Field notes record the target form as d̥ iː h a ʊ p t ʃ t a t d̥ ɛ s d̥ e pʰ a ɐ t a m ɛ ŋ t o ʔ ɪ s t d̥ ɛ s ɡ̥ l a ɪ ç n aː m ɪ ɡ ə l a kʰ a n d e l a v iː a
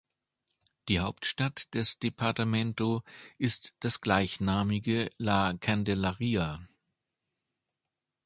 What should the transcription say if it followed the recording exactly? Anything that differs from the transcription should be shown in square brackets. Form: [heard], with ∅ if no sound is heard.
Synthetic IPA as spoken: d̥ iː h a ʊ p t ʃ t a t d̥ ɛ s d̥ e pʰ a ɐ t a m ɛ [n] t o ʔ ɪ s t d̥ [a] s ɡ̥ l a ɪ ç n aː m ɪ ɡ ə l a kʰ a n d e l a [ʁ] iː a